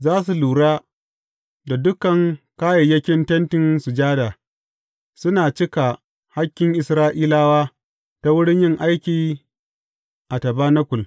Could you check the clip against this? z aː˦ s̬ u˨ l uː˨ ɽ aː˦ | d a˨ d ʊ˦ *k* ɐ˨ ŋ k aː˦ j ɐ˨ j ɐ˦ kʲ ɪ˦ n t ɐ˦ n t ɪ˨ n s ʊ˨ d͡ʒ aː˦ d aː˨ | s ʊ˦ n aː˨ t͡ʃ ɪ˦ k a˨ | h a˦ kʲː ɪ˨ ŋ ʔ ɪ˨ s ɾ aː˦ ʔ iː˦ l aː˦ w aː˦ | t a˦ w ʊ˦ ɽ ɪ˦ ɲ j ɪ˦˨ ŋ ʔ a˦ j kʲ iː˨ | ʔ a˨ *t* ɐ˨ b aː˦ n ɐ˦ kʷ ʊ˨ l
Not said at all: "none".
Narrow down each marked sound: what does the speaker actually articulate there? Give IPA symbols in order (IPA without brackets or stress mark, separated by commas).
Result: k, t